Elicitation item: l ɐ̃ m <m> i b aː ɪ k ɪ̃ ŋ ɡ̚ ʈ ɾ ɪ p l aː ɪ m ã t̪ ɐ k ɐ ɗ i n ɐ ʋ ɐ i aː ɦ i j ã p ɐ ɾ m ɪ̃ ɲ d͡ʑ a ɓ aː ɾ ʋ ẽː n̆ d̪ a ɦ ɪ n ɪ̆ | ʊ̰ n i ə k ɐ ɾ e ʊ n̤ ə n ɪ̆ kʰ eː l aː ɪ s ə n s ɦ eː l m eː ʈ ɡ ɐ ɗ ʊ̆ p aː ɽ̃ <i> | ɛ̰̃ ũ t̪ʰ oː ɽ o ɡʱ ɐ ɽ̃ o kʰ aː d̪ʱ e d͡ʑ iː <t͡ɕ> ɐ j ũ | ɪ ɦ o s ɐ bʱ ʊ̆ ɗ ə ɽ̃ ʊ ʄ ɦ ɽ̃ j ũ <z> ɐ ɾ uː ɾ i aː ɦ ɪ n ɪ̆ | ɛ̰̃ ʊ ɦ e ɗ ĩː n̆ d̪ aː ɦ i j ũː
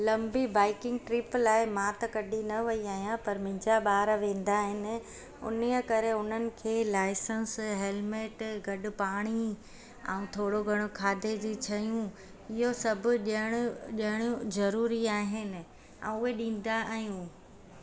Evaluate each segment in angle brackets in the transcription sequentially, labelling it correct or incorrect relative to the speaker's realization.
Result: incorrect: b, correct, incorrect: t͡ɕʰ, correct

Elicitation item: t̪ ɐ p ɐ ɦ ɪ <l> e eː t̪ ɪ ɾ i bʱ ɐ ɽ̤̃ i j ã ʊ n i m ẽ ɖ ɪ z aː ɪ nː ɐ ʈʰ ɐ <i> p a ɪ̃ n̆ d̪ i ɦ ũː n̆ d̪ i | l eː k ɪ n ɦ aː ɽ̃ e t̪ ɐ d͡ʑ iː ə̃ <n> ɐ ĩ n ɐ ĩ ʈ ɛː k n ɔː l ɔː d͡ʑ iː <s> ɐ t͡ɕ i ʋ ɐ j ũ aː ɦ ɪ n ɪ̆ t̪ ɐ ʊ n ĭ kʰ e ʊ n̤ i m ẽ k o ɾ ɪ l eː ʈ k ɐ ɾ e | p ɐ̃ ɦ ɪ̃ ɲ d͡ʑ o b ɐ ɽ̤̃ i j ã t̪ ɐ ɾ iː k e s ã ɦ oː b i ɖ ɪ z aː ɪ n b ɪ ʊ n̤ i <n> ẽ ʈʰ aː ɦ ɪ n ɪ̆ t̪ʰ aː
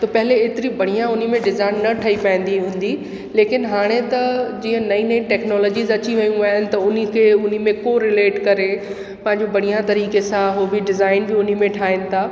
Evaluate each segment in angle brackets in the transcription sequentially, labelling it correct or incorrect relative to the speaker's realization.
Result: correct, correct, correct, incorrect: z, incorrect: m

